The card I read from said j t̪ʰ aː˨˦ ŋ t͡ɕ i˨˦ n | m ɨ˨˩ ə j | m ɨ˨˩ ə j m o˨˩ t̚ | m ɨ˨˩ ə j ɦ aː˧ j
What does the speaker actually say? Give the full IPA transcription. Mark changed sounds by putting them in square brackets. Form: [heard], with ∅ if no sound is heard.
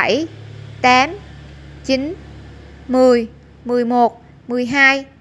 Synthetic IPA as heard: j [t̪] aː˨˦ [m] t͡ɕ i˨˦ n | m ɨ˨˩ ə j | m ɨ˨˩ ə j m o˨˩ t̚ | m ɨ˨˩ ə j ɦ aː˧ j